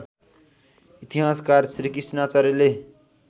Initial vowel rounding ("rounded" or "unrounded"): unrounded